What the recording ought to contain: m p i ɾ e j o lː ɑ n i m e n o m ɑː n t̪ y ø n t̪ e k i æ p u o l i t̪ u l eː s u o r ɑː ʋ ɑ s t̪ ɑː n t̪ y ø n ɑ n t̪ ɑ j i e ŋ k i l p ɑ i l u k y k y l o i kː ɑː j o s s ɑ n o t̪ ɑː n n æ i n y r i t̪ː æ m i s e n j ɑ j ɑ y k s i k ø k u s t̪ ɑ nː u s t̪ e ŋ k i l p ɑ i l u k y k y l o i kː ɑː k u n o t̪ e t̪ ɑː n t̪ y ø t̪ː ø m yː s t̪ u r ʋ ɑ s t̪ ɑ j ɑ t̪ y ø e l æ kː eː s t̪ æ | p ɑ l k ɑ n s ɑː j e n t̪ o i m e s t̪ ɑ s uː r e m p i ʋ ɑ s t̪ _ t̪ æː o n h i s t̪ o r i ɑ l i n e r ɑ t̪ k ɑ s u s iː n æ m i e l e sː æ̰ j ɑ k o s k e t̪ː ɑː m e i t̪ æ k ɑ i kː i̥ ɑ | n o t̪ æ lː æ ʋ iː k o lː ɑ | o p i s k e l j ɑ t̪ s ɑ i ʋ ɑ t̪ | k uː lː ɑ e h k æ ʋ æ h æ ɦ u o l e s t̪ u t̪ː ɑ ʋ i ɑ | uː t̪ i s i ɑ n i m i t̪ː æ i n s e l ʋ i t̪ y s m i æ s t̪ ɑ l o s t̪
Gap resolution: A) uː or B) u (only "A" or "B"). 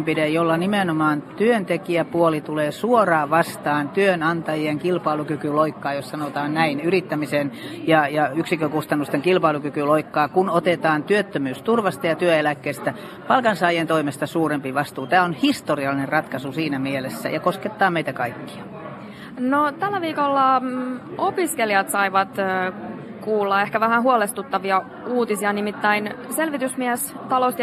A